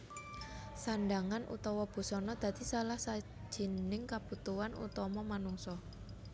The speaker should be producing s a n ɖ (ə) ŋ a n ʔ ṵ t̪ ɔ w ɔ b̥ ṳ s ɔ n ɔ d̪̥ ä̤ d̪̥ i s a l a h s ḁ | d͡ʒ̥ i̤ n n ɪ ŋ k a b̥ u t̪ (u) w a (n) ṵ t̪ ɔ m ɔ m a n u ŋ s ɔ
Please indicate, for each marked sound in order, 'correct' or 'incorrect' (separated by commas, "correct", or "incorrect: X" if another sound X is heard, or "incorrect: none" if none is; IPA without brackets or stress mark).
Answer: incorrect: a, correct, correct